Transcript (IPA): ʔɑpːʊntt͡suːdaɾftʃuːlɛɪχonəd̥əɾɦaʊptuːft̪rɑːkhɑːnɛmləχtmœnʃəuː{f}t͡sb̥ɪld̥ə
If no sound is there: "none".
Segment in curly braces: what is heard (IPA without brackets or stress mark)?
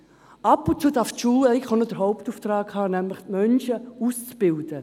s